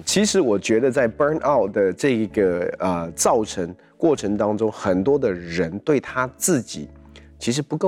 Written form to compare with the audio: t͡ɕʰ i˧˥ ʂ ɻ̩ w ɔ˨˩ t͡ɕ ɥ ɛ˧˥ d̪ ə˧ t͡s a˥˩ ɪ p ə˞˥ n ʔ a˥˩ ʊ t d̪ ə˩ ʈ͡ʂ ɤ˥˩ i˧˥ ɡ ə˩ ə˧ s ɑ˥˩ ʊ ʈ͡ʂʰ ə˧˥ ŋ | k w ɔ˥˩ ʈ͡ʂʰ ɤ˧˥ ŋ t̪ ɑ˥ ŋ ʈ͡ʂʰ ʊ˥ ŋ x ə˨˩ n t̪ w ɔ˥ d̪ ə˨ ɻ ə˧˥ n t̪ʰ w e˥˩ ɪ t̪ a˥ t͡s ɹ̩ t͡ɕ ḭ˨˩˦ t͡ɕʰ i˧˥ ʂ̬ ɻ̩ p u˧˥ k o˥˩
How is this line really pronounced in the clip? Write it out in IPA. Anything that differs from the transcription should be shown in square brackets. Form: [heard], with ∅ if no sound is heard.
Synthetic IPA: t͡ɕʰ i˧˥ ʂ ɻ̩ w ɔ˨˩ t͡ɕ ɥ ɛ˧˥ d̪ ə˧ t͡s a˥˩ ɪ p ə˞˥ n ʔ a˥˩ ʊ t d̪ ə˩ ʈ͡ʂ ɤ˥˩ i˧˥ ɡ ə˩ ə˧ [t͡s] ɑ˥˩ ʊ ʈ͡ʂʰ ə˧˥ ŋ | k w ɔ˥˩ ʈ͡ʂʰ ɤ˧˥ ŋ t̪ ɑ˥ ŋ [ʈ͡ʂ] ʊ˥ ŋ x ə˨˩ n t̪ w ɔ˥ d̪ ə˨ ɻ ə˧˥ n [t̪] w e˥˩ ɪ [t̪ʰ] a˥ t͡s ɹ̩ t͡ɕ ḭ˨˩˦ t͡ɕʰ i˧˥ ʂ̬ ɻ̩ p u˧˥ k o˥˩